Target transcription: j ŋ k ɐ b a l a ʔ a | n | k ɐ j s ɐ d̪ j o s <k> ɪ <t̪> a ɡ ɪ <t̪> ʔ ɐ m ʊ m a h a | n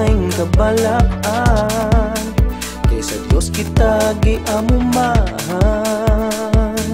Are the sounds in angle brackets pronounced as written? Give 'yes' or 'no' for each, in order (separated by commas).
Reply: yes, yes, no